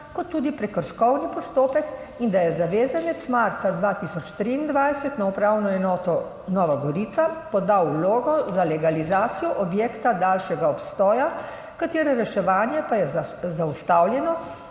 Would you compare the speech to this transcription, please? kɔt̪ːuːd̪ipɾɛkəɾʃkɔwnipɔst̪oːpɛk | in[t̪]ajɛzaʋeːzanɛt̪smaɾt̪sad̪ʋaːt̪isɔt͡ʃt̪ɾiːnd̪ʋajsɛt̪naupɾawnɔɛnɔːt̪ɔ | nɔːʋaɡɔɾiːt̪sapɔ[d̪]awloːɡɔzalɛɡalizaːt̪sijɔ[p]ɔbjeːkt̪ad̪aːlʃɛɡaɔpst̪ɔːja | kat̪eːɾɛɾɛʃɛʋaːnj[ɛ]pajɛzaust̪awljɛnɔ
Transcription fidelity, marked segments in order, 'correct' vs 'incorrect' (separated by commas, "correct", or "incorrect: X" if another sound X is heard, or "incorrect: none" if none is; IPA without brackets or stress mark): incorrect: d̪, correct, incorrect: ʔ, correct